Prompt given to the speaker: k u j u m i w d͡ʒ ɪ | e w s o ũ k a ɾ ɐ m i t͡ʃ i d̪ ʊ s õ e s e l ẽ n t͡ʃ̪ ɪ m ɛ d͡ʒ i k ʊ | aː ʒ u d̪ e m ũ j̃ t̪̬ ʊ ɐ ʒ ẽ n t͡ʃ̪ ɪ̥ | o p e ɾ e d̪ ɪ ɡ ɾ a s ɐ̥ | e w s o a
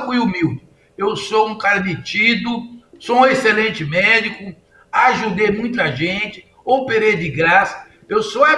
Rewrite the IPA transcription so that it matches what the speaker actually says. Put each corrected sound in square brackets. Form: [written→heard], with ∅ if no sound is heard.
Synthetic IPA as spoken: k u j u m i w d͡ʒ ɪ | e w s o ũ k a ɾ ɐ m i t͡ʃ i d̪ ʊ s õ e s e l ẽ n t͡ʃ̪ ɪ m ɛ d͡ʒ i k ʊ | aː ʒ u d̪ e m ũ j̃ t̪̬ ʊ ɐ ʒ ẽ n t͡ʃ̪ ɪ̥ | o p e ɾ e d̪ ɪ ɡ ɾ a s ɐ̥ | e w s o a

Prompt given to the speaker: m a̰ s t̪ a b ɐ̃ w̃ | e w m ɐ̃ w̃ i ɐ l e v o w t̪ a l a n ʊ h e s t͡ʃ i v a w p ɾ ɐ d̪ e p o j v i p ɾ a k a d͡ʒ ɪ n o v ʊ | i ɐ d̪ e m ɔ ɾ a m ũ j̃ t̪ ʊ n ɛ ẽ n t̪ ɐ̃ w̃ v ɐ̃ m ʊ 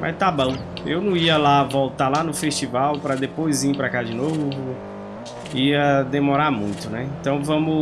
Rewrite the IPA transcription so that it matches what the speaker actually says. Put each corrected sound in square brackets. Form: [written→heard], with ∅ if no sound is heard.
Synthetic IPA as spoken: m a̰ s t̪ a b ɐ̃ w̃ | e w [m→n] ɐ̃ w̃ i ɐ l [e→a] v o w t̪ a l a n ʊ [h→f] e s t͡ʃ i v a w p ɾ ɐ d̪ e p o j [v→z] i p ɾ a k a d͡ʒ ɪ n o v ʊ | i ɐ d̪ e m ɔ ɾ a m ũ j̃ t̪ ʊ n ɛ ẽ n t̪ ɐ̃ w̃ v ɐ̃ m ʊ

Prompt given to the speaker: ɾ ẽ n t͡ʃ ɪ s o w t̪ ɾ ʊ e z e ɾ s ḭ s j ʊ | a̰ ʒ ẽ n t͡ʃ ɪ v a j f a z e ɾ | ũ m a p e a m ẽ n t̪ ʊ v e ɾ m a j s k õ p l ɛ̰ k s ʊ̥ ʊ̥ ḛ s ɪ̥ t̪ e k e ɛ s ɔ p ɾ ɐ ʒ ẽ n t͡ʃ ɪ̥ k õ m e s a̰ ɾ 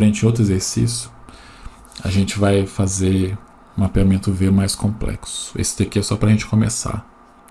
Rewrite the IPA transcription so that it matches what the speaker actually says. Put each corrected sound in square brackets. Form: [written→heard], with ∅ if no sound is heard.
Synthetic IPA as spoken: ɾ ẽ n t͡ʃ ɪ [s→∅] o w t̪ ɾ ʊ e z e ɾ s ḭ s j ʊ | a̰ ʒ ẽ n t͡ʃ ɪ v a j f a z e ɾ | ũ m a p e a m ẽ n t̪ ʊ v e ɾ m a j s k õ p l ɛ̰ k s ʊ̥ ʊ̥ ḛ s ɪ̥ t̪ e k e ɛ s ɔ p ɾ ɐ ʒ ẽ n t͡ʃ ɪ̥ k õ m e s a̰ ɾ

